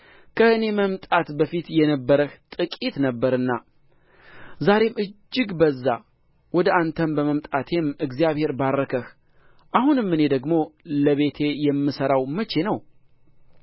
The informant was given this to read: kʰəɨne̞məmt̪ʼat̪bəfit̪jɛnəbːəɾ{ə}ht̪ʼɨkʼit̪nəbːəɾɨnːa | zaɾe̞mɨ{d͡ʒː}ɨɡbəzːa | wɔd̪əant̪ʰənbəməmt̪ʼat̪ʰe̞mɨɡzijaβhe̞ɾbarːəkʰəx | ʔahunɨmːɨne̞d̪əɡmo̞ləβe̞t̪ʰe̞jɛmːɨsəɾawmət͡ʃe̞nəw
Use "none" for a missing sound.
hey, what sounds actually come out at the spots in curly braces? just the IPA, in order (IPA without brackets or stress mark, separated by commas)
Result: ə, d͡ʒː